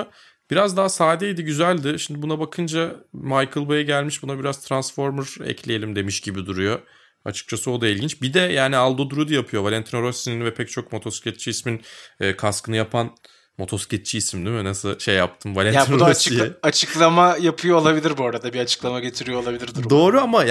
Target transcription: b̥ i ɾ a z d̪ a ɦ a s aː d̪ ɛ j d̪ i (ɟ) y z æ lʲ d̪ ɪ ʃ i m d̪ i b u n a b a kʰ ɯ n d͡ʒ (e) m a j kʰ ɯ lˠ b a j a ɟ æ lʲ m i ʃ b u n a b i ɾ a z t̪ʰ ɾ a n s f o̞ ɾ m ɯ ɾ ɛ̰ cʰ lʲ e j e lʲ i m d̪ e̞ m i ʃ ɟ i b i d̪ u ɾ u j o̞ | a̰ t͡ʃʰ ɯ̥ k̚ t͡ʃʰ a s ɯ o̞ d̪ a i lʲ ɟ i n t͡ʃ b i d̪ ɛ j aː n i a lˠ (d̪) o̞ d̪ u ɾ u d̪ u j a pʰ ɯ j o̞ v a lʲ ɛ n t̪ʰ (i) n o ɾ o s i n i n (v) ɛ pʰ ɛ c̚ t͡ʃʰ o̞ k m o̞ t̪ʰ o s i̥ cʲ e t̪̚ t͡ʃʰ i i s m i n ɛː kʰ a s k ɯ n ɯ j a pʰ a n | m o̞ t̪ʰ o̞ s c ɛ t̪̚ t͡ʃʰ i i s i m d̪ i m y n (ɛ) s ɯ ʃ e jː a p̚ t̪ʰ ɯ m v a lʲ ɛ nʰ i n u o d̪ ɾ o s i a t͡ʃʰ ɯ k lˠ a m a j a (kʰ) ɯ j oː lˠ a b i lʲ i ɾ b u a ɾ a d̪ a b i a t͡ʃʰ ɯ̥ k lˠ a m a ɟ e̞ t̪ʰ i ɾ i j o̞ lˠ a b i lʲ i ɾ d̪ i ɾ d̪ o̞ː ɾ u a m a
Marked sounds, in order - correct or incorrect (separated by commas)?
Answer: correct, incorrect, correct, correct, correct, incorrect, incorrect